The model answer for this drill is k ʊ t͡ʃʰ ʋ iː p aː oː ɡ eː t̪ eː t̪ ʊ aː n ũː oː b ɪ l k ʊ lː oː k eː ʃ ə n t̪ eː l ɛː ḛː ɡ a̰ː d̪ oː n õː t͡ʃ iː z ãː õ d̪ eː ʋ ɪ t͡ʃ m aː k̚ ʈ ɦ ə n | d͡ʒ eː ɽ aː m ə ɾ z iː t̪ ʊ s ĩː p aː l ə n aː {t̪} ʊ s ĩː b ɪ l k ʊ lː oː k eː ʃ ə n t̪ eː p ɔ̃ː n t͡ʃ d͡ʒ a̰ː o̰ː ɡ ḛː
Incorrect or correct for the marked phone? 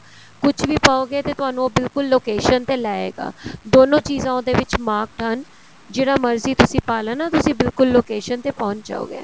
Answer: correct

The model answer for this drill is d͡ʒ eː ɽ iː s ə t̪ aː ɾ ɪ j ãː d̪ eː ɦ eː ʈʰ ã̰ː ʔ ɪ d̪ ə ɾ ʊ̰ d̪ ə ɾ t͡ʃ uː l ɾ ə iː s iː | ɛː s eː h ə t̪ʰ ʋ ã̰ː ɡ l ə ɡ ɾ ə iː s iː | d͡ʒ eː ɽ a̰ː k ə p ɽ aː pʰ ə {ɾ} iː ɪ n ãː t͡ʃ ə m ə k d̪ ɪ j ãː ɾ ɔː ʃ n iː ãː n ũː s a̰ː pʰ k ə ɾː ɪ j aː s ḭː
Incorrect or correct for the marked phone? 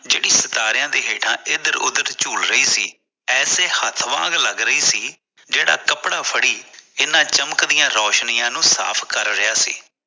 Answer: incorrect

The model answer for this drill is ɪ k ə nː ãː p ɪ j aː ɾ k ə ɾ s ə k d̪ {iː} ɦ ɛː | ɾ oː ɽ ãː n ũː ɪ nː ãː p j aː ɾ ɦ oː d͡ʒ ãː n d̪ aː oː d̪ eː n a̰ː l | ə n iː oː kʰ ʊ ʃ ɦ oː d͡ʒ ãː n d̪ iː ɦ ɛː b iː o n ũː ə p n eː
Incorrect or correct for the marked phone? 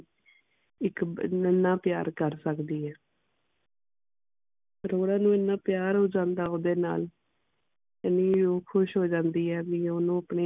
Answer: correct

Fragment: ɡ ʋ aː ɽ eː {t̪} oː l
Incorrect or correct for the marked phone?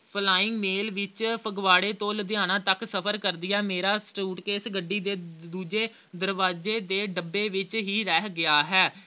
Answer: correct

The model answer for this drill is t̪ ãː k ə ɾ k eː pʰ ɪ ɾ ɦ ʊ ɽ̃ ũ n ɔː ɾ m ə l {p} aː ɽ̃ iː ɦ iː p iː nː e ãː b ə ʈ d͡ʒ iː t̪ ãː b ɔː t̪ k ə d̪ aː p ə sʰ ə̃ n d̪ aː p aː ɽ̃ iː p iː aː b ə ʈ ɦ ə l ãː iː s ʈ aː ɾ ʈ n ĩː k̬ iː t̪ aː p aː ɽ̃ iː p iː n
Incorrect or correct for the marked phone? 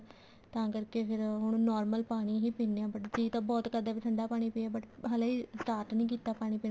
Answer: correct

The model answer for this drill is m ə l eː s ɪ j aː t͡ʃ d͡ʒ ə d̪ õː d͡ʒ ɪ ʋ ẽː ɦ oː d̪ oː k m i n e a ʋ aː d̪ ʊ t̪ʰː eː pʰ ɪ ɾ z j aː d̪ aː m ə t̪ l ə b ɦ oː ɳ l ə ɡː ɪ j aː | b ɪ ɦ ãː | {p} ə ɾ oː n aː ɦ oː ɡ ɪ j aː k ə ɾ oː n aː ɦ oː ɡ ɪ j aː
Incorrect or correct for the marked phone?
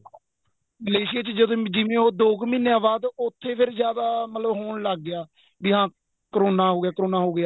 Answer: incorrect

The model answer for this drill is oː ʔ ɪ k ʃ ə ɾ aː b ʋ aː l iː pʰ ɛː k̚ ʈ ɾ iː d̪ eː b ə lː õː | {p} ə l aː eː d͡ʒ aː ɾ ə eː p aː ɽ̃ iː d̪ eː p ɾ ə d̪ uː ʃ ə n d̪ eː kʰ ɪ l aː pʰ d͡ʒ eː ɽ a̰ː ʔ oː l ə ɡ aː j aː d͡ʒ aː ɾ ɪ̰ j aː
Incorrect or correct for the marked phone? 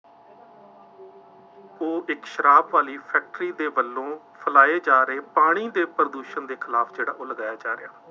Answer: incorrect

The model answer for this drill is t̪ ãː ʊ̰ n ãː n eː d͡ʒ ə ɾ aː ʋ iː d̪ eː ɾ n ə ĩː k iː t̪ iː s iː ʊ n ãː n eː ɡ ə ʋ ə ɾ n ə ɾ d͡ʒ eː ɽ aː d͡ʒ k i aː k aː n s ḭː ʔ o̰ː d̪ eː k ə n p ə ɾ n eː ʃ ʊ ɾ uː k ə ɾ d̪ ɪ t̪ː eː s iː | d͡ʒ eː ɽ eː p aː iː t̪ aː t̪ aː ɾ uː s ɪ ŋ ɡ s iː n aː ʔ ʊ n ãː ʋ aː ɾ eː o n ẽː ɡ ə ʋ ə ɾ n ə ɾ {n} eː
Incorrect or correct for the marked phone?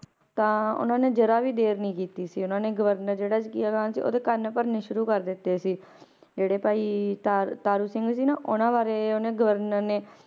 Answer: correct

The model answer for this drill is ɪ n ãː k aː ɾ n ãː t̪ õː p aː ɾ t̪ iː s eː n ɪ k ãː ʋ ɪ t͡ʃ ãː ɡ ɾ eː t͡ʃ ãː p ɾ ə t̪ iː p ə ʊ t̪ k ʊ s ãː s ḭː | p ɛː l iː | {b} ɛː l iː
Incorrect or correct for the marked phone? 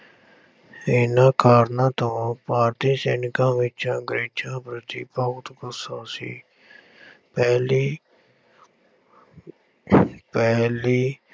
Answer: incorrect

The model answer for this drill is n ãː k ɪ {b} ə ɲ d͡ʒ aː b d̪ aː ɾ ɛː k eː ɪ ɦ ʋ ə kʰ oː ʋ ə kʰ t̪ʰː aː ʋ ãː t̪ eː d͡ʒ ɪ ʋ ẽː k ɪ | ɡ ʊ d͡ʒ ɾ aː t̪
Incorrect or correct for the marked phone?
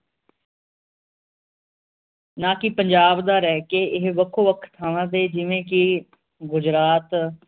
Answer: incorrect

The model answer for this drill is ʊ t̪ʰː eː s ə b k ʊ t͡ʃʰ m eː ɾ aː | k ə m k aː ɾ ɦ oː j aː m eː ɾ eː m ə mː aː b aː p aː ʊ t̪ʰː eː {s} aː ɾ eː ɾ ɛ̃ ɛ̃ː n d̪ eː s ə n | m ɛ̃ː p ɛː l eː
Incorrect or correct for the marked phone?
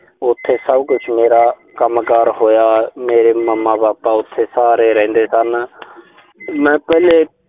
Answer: correct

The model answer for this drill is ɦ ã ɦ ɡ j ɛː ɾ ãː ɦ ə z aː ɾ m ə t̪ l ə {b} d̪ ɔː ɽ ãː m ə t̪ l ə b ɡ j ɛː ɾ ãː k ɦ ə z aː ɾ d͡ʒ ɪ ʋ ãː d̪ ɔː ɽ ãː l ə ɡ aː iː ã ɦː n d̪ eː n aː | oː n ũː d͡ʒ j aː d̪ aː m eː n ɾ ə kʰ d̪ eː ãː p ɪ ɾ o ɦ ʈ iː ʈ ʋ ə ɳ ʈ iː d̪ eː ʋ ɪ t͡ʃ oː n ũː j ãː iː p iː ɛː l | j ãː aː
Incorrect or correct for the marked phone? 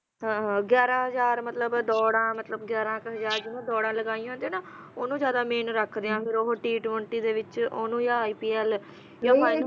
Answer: correct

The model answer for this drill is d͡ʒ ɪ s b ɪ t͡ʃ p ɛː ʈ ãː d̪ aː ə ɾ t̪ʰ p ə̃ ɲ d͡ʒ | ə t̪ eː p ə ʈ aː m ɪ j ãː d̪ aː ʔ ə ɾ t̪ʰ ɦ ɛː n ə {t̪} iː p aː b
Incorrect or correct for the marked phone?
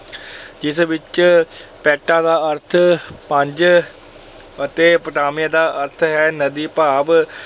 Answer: incorrect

